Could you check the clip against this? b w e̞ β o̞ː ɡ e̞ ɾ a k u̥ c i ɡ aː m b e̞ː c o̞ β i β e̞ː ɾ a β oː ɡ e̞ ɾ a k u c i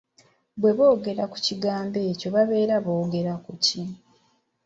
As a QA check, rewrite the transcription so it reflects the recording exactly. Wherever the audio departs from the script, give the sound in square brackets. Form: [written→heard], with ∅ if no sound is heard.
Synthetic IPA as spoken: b w e̞ β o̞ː ɡ e̞ ɾ a k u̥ c i ɡ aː m b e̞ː c o̞ β [i→a] β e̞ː ɾ a β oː ɡ e̞ ɾ a k u c i

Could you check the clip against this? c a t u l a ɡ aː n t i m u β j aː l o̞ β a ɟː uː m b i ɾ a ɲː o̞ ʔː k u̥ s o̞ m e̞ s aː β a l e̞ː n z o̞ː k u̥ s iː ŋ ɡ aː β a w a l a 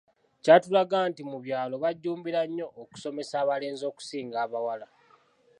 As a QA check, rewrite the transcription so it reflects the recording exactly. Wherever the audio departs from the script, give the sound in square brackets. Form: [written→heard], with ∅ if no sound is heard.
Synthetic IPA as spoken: c a t u l a ɡ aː n t i m u β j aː l o̞ β a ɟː uː m b i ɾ a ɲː o̞ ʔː k u̥ s o̞ m e̞ s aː β a l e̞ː n z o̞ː k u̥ s iː ŋ ɡ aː β a w a l a

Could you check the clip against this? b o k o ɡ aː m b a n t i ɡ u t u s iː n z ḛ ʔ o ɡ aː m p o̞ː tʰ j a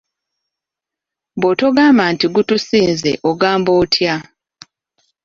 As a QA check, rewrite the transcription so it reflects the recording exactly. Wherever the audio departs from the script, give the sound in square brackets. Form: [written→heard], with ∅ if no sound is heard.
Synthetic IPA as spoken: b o [k→t] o ɡ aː m b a n t i ɡ u t u s iː n z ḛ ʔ o ɡ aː m [p→b] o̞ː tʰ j a

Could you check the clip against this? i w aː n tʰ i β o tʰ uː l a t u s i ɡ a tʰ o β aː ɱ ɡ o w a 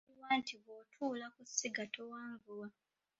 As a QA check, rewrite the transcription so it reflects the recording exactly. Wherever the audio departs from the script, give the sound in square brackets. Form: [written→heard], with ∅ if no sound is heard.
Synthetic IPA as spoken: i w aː n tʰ i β o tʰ uː l a [t→k] u s i ɡ a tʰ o [β→w] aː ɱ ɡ [o→u] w a

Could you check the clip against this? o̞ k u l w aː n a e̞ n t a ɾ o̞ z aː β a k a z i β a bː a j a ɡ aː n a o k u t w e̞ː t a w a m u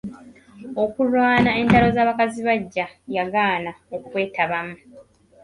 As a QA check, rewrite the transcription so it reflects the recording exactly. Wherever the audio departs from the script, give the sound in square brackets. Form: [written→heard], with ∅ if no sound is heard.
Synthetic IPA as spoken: o̞ k u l w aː n a e̞ n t a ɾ o̞ z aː β a k a z i β a [bː→ɟː] a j a ɡ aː n a o k u [t→k] w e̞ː t a [w→β] a m u

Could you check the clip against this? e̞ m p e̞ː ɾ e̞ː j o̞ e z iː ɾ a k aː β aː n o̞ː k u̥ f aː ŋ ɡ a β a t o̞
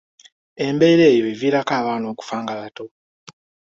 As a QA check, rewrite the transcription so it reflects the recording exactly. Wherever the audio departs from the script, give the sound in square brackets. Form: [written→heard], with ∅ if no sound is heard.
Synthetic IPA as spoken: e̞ m [p→b] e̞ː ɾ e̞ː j o̞ e [z→v] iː ɾ a k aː β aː n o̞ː k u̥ f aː ŋ ɡ a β a t o̞

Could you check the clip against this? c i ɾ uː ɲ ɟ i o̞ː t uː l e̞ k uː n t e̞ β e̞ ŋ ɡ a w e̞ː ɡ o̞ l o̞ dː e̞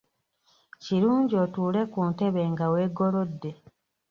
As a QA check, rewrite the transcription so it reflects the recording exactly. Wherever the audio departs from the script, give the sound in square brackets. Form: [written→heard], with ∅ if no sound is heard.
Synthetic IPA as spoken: c i ɾ uː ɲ ɟ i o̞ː t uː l e̞ k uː n t e̞ β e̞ ŋ ɡ a w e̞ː ɡ o̞ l o̞ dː e̞

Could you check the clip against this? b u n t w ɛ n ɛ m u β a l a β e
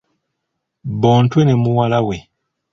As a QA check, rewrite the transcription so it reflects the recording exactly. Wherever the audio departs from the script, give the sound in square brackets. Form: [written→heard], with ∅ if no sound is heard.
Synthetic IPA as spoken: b [u→ɔ] n t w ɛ n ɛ m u [β→w] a l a [β→w] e

